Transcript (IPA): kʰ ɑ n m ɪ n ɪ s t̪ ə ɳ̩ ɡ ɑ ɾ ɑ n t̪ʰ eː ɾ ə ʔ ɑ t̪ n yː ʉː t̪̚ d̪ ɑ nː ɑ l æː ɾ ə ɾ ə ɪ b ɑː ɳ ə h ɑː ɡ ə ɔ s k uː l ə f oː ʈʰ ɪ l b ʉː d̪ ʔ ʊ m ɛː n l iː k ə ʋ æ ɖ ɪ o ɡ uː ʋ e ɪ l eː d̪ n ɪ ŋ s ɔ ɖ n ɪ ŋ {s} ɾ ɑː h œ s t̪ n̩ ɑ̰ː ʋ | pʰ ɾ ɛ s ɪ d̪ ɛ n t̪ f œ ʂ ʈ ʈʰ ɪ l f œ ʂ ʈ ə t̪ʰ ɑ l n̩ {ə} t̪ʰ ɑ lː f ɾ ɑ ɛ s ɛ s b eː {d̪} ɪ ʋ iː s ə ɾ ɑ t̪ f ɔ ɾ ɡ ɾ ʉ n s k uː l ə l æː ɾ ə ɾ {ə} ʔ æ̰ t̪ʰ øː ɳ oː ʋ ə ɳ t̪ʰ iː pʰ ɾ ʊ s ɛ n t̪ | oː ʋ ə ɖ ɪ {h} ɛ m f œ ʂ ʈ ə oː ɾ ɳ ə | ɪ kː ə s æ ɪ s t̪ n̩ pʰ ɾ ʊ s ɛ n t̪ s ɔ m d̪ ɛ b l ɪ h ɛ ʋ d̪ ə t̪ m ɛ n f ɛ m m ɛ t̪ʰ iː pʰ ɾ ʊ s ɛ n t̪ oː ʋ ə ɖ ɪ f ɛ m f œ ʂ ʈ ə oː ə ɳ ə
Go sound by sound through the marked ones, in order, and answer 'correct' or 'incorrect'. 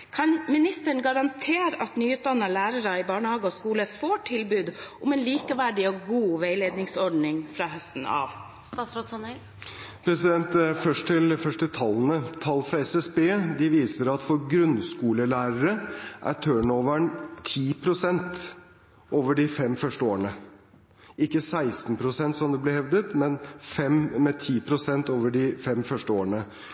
incorrect, correct, correct, correct, incorrect

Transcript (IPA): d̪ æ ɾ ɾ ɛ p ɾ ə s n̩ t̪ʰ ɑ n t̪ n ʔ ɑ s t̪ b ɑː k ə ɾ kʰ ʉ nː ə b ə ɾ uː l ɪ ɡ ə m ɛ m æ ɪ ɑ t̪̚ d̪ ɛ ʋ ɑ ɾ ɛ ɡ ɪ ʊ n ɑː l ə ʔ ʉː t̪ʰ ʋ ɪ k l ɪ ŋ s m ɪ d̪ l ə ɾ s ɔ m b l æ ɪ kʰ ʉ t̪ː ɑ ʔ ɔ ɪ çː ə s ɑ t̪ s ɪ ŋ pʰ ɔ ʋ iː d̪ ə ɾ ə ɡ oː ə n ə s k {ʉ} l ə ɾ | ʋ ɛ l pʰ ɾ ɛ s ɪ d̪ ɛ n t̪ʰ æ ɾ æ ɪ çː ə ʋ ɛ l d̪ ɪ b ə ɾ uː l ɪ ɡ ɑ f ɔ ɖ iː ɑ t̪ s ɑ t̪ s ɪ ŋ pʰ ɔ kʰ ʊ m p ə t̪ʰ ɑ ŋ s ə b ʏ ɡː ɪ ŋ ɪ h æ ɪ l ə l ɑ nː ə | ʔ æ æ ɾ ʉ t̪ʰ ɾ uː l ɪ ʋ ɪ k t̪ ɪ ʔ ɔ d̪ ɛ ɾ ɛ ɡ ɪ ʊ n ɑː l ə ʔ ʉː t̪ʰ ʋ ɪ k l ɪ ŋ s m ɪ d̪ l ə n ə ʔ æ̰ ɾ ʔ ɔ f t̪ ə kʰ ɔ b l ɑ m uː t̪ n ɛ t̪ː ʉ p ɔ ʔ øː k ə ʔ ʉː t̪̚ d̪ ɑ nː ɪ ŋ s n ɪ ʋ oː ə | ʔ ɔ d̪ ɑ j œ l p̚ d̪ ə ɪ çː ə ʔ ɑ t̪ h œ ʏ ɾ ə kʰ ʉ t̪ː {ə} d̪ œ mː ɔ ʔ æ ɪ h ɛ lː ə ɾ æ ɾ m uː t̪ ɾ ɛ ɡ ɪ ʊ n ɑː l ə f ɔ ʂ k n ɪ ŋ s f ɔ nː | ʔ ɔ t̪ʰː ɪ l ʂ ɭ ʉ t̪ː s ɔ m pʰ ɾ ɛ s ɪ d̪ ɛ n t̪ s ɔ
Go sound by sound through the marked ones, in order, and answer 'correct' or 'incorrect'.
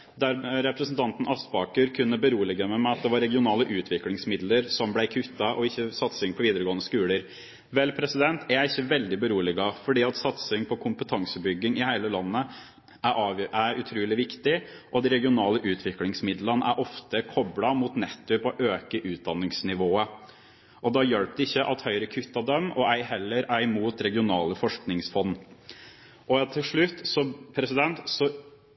incorrect, incorrect

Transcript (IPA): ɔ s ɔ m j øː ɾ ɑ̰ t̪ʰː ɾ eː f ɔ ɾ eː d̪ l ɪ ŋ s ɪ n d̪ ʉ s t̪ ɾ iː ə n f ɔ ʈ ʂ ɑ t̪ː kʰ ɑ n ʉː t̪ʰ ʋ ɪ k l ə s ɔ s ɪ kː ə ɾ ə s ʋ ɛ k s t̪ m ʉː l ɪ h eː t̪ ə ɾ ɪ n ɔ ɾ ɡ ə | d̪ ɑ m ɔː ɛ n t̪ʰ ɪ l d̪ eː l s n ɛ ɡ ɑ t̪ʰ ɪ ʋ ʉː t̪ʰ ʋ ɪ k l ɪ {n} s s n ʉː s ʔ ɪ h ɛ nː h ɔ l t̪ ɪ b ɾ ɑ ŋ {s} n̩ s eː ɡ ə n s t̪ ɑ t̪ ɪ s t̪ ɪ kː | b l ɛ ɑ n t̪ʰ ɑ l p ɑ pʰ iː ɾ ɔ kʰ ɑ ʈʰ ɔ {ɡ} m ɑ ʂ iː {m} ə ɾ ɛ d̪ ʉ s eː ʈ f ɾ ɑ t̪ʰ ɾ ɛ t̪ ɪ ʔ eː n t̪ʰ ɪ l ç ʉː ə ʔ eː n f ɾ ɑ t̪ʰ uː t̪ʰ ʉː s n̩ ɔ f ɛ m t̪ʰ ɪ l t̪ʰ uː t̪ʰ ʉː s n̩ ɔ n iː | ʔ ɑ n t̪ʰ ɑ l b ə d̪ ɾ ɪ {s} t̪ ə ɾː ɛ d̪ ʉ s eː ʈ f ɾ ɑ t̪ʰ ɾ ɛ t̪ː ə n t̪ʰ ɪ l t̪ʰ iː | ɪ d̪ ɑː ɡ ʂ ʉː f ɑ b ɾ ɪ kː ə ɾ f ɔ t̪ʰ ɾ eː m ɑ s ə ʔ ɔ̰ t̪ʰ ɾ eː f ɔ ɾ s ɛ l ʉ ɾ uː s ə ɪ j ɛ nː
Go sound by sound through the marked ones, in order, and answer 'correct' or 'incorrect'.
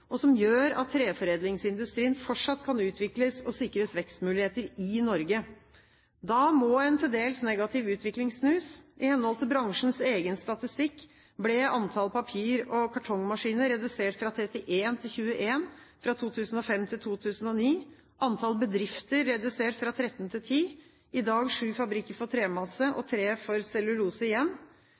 incorrect, incorrect, incorrect, incorrect, incorrect

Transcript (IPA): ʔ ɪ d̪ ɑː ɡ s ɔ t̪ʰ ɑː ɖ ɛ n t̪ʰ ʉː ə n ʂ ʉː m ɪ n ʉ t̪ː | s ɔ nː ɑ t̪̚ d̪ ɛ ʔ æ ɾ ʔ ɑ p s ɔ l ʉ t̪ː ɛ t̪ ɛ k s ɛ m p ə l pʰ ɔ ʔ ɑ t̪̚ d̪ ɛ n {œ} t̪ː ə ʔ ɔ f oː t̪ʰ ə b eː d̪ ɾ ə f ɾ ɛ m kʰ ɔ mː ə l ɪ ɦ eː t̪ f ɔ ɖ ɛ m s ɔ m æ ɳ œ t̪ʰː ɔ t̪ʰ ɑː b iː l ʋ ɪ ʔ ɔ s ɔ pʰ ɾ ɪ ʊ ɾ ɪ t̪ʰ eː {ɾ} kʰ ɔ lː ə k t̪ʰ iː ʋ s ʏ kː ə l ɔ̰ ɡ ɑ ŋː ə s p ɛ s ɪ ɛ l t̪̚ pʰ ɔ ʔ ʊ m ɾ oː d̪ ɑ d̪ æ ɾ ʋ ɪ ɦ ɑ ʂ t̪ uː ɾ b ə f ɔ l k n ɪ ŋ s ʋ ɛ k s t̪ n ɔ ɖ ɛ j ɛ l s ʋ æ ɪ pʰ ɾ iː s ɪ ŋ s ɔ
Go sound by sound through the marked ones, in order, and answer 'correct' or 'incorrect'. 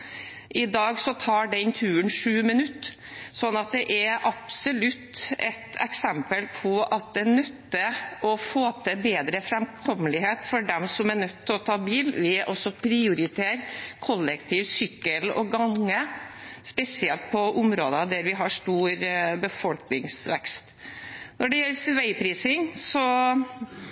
correct, correct

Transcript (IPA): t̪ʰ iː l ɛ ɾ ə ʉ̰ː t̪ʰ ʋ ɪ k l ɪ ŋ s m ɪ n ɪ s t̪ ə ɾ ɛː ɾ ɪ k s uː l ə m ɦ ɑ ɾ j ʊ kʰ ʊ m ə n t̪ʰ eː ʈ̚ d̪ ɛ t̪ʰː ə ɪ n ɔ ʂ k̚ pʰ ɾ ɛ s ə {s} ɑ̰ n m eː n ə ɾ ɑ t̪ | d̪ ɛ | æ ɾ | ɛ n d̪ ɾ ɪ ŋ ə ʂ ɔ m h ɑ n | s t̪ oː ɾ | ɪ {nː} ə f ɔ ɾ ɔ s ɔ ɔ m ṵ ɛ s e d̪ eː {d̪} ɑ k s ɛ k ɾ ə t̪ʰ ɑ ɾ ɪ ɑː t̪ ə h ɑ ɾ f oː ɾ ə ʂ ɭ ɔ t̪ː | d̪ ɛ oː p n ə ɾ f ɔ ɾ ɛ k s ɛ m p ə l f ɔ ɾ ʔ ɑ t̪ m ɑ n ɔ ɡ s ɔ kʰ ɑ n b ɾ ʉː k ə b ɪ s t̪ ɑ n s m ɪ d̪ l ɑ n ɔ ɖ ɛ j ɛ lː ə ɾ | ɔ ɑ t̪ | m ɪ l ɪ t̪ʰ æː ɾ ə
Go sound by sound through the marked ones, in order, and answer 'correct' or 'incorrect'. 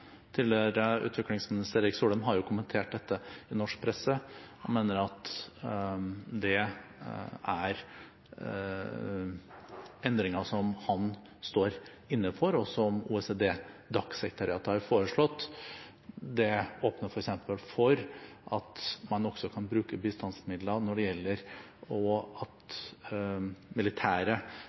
incorrect, correct, correct

